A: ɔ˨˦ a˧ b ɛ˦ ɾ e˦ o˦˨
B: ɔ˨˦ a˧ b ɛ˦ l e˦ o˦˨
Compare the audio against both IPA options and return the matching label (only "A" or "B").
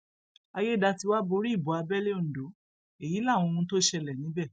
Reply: B